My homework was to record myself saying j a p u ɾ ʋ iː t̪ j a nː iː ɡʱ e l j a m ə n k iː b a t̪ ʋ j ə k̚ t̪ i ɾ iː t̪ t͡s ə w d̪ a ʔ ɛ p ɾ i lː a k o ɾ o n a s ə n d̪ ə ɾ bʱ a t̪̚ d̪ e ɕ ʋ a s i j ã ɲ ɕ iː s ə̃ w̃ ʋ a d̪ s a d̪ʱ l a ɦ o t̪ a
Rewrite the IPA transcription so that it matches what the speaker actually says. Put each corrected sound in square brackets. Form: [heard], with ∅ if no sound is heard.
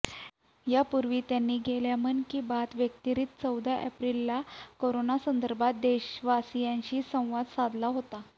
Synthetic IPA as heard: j a p u ɾ ʋ iː t̪ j a nː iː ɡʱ e l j a m ə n k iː b a t̪ ʋ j ə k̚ t̪ i ɾ iː t̪ t͡s ə w d̪ a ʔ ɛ p ɾ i lː a k o ɾ o n a s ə n d̪ ə ɾ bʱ a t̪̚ d̪ e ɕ ʋ a s i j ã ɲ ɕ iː s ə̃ w̃ ʋ a d̪ s a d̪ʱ l a ɦ o t̪ a